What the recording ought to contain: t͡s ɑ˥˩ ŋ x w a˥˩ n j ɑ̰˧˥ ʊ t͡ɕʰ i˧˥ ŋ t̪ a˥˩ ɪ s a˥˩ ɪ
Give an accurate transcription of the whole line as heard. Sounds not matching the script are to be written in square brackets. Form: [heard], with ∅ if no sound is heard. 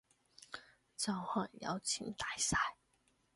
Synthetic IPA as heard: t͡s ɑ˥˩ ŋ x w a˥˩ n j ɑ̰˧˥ ʊ t͡ɕʰ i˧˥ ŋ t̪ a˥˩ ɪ s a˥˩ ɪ